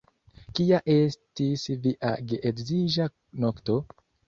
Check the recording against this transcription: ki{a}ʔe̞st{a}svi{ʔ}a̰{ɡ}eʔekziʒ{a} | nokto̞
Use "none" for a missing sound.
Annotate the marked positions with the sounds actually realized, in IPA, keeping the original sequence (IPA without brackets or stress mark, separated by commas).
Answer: a, i, ʔ, ɡ, a